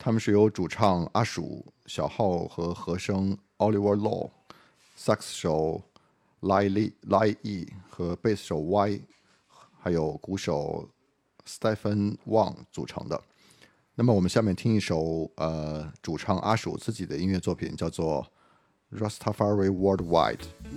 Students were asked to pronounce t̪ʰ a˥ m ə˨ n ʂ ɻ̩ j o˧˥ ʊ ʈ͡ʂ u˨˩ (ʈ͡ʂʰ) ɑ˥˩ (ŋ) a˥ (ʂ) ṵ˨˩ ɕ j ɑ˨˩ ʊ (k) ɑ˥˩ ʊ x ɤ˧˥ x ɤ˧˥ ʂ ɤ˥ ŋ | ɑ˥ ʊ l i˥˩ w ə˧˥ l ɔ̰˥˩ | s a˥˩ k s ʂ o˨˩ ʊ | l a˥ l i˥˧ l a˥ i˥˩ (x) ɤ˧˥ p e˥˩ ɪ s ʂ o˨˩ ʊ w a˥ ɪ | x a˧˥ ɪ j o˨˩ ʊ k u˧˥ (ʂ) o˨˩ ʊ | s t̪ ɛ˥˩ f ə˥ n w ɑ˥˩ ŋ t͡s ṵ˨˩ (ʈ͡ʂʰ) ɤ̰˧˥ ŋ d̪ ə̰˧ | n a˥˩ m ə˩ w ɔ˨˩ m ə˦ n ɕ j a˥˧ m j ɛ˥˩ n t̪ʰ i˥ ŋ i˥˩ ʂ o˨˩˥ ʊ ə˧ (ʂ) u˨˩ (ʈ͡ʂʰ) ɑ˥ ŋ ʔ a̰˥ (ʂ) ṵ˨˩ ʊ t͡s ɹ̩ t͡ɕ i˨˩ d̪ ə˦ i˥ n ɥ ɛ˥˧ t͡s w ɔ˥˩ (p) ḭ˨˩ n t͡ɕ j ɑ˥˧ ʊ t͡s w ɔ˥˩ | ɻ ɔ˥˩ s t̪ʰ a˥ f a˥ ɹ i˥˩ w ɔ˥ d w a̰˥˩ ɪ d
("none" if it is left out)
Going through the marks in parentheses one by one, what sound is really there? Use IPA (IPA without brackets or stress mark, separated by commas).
ʈ͡ʂʰ, ŋ, ʂ, x, x, ʂ, ʈ͡ʂʰ, ʈ͡ʂ, ʈ͡ʂʰ, ʂ, pʰ